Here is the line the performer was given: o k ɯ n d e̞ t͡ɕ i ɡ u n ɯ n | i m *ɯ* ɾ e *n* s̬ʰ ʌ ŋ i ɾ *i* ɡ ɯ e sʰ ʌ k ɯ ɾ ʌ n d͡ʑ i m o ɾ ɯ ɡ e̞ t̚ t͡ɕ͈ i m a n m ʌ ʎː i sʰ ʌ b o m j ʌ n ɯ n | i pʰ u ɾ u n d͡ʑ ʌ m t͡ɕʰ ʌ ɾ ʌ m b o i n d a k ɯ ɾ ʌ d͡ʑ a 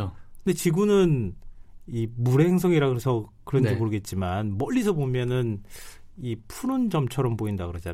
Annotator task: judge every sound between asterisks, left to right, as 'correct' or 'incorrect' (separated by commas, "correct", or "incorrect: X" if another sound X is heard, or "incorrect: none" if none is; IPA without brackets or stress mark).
incorrect: u, incorrect: ŋ, incorrect: a